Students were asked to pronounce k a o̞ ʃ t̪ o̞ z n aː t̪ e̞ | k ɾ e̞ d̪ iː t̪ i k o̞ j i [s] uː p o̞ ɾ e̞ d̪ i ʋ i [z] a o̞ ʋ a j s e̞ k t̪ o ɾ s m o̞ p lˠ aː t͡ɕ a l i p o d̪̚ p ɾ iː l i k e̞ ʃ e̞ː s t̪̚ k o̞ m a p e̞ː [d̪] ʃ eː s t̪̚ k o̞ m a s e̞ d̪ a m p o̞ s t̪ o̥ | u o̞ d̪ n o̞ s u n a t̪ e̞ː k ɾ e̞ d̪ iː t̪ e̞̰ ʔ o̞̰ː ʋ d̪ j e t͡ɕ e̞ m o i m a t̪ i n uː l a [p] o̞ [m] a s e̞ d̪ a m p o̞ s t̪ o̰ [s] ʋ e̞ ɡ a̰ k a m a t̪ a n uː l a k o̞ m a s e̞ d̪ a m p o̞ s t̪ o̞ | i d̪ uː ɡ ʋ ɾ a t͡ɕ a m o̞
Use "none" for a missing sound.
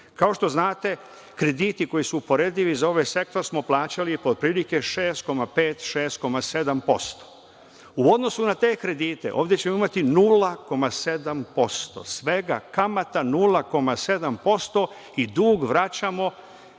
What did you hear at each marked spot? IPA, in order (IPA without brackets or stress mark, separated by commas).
s, z, t̪, k, m, s